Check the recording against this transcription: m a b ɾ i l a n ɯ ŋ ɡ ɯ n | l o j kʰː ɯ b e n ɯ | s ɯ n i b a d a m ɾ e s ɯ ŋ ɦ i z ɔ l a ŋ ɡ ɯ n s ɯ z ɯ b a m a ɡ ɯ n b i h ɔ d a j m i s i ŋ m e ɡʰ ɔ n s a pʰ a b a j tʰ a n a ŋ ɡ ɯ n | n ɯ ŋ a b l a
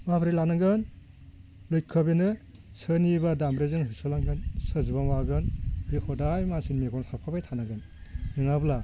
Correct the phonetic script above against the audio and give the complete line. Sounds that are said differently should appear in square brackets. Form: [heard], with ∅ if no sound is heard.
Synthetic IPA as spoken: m a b ɾ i l a n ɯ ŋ ɡ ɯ n | l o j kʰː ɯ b e n ɯ | s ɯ n i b a d a m ɾ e [z] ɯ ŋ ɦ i [s] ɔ l a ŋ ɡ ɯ n s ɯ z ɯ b a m a ɡ ɯ n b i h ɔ d a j m [a] s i [n] m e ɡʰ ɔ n s a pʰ a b a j tʰ a n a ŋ ɡ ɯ n | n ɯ ŋ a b l a